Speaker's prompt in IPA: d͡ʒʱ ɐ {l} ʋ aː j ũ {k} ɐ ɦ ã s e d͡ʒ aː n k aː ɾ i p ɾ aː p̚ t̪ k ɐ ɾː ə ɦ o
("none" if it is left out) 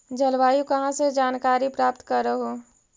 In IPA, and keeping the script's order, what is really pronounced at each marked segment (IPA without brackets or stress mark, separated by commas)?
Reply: l, k